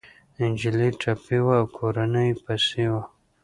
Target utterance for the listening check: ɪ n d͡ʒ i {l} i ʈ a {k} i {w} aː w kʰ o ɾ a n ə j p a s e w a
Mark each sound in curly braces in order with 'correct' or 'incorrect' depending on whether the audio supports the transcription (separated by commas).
correct, incorrect, correct